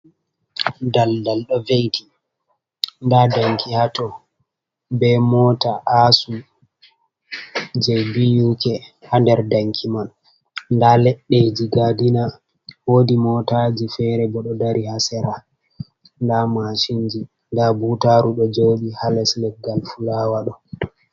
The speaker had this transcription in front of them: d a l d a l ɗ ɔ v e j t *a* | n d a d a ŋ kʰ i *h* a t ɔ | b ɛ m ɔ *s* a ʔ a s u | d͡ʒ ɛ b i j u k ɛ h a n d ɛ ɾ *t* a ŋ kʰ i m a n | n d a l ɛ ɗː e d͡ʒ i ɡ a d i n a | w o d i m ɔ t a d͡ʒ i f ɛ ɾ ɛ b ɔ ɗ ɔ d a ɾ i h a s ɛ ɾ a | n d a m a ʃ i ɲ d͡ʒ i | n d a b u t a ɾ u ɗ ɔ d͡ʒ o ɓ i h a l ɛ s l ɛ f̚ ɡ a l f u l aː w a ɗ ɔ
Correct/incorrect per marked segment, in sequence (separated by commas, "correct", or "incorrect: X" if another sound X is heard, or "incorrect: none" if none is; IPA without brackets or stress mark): incorrect: i, correct, incorrect: t, incorrect: d